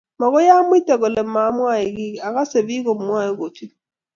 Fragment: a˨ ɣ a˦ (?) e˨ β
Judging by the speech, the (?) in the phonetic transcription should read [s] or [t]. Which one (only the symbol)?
s